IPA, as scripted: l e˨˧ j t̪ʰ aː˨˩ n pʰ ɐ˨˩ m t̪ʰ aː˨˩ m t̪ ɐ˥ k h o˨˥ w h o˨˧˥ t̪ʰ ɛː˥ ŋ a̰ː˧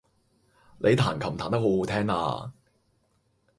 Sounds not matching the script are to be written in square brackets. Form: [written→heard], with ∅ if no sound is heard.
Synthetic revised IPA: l e˨˧ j t̪ʰ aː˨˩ n [pʰ→kʰ] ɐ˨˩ m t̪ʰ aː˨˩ [m→n] t̪ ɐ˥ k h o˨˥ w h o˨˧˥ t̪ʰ ɛː˥ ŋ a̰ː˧